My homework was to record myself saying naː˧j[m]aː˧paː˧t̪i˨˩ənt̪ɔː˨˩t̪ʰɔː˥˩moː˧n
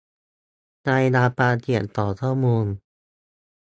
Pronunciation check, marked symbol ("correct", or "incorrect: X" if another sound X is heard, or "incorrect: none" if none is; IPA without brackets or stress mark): incorrect: n